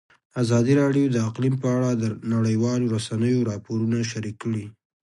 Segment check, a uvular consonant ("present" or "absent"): present